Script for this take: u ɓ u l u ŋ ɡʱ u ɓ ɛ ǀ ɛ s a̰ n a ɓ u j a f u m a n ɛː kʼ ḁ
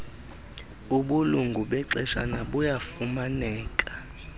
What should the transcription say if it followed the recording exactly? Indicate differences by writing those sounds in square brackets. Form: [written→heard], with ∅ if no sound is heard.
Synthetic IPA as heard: u ɓ u l u ŋ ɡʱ u ɓ ɛ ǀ ɛ [s→ʃ] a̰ n a ɓ u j a f u m a n ɛː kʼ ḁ